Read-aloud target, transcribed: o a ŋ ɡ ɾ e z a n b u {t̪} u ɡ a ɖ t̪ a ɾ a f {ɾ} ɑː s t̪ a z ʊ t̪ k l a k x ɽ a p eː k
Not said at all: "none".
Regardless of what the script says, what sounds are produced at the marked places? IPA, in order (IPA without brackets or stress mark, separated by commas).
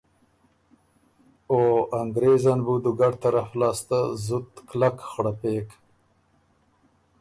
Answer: d̪, l